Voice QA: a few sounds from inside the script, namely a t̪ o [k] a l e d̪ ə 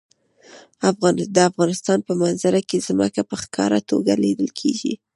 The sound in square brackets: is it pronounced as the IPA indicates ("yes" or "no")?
no